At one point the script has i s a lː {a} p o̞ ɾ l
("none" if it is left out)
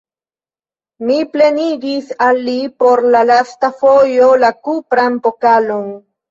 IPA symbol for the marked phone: i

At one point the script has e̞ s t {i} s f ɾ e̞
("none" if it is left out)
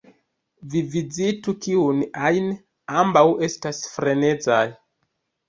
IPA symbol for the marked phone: a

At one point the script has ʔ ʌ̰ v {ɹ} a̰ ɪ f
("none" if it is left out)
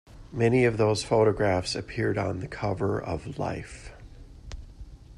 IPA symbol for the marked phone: l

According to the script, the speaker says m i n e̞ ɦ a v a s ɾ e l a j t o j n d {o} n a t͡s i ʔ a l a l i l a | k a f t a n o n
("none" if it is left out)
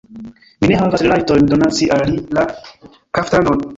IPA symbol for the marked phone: o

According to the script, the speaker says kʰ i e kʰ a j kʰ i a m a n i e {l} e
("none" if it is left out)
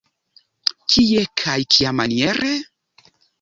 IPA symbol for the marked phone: ɾ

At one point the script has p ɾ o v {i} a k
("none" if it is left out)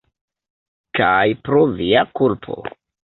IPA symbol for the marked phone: i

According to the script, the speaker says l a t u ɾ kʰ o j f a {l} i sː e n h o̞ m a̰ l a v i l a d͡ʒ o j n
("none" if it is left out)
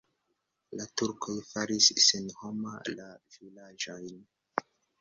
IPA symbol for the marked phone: ɾ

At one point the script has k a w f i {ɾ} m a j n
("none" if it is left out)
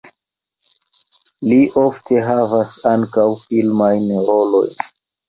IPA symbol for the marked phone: l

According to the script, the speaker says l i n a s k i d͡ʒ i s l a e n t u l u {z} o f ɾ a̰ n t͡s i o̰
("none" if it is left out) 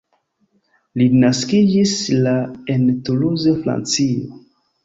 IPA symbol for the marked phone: z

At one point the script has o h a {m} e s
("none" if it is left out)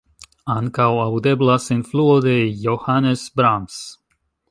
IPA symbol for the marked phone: n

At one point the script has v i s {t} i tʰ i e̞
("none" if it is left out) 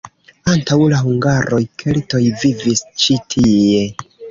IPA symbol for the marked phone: t͡ʃ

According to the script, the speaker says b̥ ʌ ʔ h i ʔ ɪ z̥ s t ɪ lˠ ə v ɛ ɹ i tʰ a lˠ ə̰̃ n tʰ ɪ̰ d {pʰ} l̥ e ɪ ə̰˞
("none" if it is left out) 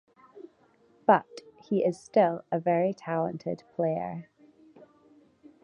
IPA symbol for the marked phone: pʰ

